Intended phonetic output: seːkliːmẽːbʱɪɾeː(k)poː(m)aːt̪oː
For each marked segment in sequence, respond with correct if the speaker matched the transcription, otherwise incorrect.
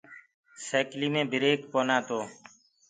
correct, incorrect: n

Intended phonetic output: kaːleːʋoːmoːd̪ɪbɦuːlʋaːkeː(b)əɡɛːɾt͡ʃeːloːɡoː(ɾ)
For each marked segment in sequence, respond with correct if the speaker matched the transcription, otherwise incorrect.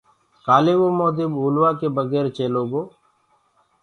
correct, incorrect: none

